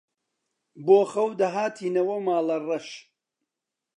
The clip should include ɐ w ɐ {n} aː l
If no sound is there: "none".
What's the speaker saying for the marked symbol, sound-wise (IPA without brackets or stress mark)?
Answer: m